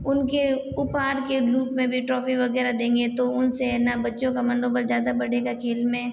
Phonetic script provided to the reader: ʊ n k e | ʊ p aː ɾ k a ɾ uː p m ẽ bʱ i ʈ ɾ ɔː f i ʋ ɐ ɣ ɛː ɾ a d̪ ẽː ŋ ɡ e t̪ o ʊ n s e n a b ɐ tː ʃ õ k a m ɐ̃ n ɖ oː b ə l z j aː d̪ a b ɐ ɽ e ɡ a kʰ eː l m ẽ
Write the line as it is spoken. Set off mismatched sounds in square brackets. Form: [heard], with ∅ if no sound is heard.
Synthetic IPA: ʊ n k e | ʊ p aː ɾ k [e] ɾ uː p m ẽ bʱ i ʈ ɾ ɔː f i ʋ ɐ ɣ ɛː ɾ a d̪ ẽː ŋ ɡ e t̪ o ʊ n s e n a b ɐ tː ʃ õ k a m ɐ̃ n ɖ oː b ə l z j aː d̪ a b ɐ ɽ e ɡ a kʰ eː l m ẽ